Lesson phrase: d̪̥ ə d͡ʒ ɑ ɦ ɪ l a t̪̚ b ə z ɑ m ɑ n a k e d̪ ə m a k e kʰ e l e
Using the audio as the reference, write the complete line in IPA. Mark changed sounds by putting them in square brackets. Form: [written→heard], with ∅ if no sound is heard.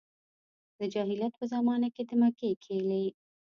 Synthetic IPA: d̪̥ ə d͡ʒ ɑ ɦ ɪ l a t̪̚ [b→p] ə z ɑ m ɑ n a k e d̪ ə m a k e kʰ e l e